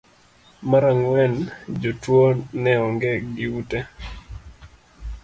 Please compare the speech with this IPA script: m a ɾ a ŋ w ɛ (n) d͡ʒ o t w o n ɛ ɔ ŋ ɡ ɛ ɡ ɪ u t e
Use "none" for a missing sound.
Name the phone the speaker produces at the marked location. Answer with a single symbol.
n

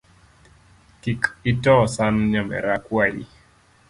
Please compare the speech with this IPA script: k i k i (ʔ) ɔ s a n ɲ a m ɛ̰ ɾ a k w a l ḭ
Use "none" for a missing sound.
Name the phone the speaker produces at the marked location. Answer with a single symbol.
t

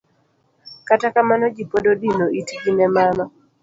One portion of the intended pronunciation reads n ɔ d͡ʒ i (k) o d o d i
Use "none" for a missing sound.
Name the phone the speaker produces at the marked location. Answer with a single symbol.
p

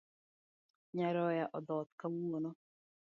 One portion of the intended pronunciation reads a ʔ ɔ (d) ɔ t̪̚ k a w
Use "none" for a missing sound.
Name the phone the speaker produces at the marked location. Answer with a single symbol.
d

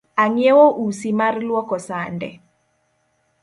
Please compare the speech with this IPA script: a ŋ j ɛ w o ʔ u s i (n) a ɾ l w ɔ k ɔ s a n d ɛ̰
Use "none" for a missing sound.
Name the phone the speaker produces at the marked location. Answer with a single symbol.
m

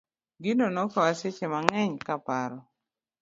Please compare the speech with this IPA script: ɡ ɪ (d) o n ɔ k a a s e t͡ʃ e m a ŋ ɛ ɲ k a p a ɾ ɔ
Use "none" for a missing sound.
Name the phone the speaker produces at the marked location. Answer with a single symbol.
n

